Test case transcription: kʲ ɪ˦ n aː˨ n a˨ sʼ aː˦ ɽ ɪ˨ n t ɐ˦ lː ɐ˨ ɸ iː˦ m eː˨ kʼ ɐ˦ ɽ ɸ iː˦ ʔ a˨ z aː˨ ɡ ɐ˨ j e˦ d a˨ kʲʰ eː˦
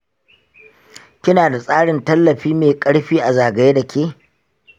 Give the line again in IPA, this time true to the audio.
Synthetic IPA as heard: kʲ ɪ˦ n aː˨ d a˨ sʼ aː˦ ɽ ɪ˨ n t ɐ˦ lː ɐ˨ ɸ iː˦ m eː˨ kʼ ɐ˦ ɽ ɸ iː˦ ʔ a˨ z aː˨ ɡ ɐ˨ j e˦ d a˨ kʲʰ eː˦